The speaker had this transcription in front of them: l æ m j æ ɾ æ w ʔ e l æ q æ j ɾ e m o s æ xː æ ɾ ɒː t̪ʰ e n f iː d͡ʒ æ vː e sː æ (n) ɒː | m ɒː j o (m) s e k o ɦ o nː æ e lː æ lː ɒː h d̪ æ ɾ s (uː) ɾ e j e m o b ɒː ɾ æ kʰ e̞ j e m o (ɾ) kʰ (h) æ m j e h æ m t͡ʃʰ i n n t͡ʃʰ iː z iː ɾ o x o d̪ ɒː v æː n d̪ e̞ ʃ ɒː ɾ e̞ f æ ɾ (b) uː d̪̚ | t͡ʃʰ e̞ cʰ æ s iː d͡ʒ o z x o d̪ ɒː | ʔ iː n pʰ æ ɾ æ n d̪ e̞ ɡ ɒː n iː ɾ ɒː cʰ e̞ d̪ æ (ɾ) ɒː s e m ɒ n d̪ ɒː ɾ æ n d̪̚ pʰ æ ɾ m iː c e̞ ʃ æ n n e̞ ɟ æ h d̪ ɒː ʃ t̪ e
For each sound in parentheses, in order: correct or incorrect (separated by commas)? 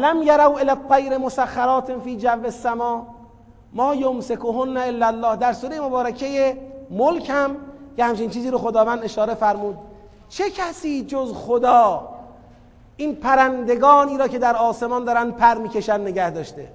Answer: incorrect, correct, correct, incorrect, correct, incorrect, correct